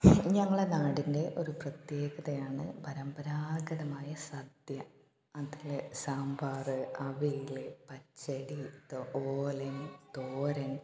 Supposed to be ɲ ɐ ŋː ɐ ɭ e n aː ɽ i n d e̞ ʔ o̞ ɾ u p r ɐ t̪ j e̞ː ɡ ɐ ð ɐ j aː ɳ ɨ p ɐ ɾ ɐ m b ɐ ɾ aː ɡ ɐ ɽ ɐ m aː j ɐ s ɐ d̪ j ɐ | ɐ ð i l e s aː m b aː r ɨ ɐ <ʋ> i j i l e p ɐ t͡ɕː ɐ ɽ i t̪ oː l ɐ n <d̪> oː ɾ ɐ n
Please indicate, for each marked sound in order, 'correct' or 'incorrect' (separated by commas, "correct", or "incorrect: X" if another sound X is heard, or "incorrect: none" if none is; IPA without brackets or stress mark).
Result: correct, incorrect: t̪